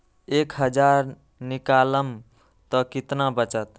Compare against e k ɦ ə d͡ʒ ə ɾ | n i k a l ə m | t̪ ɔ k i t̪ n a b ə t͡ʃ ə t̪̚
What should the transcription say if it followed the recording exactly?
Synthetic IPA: e k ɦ ə d͡ʒ a ɾ | n i k a l ə m | t̪ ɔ k i t̪ n a b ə t͡ʃ ə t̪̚